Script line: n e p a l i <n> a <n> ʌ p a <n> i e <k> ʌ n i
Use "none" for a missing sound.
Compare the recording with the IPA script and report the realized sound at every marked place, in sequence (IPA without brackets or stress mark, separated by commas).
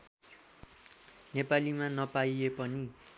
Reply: m, n, none, p